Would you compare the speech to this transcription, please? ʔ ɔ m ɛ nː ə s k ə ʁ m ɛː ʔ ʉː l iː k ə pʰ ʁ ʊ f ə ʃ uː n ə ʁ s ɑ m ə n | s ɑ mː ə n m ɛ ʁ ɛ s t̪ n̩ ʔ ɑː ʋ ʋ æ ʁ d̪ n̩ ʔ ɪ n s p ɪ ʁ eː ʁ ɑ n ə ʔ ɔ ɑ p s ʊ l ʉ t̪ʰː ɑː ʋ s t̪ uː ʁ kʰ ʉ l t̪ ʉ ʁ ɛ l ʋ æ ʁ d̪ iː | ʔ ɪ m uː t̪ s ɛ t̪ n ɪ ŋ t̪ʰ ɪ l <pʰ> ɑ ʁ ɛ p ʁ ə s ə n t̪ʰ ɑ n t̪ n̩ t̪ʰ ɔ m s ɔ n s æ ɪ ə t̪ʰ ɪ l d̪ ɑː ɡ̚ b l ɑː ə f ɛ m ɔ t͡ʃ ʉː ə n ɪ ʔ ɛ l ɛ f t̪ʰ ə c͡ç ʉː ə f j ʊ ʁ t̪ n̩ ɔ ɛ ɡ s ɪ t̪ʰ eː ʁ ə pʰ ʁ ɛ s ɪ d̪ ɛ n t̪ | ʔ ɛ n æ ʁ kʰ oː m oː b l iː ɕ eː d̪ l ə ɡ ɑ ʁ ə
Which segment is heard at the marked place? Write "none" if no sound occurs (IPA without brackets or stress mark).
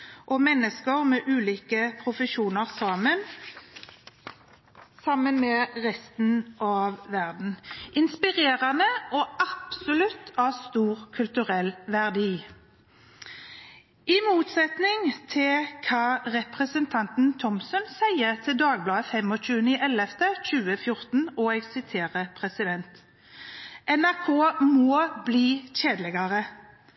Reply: kʰ